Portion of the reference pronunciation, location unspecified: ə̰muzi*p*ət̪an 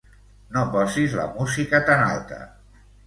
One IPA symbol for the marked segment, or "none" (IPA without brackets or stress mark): k